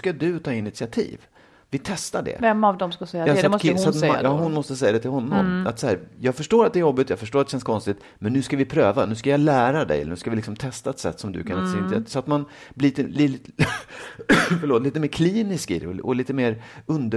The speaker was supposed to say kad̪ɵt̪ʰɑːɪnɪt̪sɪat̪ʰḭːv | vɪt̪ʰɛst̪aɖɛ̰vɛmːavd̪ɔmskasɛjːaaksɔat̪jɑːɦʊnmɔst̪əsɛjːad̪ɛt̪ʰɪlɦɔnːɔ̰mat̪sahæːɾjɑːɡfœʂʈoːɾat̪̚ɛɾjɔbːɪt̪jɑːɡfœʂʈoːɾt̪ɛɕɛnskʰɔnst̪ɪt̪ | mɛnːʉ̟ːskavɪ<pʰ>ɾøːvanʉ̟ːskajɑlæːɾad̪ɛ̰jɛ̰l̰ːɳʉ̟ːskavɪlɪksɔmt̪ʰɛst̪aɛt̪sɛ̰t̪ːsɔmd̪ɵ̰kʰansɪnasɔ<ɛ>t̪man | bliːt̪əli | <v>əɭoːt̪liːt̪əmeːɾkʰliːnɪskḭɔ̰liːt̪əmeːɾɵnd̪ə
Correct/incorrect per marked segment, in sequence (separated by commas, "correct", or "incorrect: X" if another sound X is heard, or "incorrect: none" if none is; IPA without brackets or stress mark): correct, incorrect: a, incorrect: f